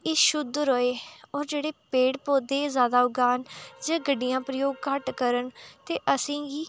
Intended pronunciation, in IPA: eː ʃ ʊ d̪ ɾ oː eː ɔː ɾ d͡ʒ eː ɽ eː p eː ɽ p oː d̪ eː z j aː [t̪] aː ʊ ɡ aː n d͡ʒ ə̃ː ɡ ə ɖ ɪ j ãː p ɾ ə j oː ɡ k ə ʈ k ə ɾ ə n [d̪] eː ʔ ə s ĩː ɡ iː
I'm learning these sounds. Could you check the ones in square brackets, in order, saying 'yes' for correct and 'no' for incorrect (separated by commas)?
no, no